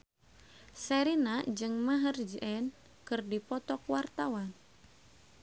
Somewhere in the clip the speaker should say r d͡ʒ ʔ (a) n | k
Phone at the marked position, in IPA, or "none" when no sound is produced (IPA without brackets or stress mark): ɛ